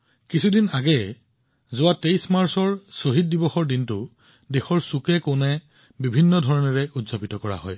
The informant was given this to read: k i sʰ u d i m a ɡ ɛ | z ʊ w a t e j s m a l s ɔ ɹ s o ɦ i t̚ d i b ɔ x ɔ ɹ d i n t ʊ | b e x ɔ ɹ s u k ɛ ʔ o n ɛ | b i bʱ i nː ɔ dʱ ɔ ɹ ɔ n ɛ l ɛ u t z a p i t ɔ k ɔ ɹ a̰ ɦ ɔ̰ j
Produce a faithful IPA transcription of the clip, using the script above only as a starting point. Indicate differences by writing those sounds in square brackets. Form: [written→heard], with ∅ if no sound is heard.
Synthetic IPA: k i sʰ u d i [m→n] a ɡ ɛ | z ʊ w a t e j s m a [l→ɹ] s ɔ ɹ s o ɦ i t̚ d i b ɔ x ɔ ɹ d i n t ʊ | [b→d] e x ɔ ɹ s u k ɛ [ʔ→k] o n ɛ | b i bʱ i nː ɔ dʱ ɔ ɹ ɔ n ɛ [l→ɹ] ɛ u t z a p i t ɔ k ɔ ɹ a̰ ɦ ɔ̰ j